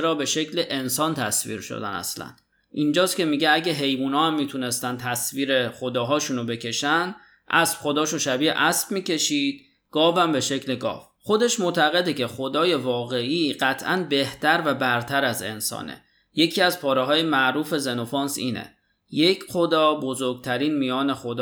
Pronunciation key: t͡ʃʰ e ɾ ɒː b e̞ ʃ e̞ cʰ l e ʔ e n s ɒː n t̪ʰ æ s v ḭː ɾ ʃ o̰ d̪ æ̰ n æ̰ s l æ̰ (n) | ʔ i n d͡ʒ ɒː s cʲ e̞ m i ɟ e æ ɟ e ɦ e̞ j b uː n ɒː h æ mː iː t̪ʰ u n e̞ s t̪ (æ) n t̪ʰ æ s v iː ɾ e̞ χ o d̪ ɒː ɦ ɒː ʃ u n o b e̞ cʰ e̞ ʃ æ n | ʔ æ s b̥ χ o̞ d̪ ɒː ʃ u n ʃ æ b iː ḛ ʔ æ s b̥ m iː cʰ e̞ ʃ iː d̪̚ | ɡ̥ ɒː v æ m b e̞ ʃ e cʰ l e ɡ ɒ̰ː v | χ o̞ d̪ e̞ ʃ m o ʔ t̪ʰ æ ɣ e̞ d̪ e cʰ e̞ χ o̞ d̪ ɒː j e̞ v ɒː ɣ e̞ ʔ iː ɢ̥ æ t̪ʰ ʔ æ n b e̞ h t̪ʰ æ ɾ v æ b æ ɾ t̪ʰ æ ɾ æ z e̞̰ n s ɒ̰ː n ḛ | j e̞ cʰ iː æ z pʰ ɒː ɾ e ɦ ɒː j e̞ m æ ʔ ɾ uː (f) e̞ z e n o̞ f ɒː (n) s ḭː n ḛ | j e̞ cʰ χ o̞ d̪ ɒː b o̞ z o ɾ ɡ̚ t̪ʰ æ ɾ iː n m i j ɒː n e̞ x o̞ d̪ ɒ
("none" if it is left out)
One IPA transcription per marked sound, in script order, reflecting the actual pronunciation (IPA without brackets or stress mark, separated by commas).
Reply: n, æ, f, n